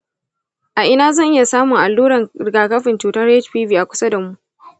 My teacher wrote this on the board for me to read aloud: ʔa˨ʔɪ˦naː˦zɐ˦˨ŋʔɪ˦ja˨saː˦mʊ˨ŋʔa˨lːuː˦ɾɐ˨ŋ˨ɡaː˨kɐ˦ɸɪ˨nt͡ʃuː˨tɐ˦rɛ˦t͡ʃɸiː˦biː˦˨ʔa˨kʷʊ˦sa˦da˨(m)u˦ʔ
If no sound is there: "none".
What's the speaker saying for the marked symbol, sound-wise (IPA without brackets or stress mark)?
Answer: m